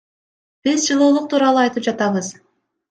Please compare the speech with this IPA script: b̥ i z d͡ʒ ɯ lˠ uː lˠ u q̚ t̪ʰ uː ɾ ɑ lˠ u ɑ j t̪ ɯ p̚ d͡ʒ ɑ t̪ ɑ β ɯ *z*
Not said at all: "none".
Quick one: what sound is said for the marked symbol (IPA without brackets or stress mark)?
z